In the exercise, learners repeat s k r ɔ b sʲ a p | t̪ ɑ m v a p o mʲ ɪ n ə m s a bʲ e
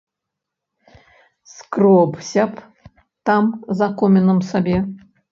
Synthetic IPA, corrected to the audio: s k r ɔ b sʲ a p | t̪ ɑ m z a k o mʲ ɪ n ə m s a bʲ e